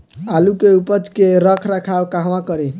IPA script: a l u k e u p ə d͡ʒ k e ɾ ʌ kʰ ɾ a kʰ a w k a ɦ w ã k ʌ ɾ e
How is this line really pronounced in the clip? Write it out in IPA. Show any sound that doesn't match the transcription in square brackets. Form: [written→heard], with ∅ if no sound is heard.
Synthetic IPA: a l u k e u p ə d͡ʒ k e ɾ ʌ kʰ ɾ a kʰ a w k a ɦ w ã k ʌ ɾ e